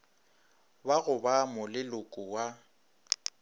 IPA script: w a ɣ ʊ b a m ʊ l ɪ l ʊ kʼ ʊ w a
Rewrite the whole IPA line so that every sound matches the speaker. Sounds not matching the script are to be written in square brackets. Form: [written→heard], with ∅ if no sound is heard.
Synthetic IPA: [w→b] a ɣ ʊ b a m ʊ l ɪ l ʊ kʼ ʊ w a

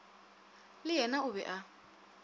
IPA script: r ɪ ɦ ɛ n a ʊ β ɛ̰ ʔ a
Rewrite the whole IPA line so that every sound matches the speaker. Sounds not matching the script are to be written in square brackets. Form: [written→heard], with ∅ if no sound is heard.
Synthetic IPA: [r→l] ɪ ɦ ɛ n a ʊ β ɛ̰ ʔ a

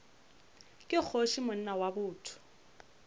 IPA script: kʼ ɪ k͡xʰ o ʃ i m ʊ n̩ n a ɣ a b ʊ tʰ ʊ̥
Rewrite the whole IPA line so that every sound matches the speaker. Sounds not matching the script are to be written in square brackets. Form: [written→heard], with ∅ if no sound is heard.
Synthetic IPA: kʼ ɪ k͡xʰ o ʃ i m ʊ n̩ n a [ɣ→w] a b [ʊ→ʊː] tʰ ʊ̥

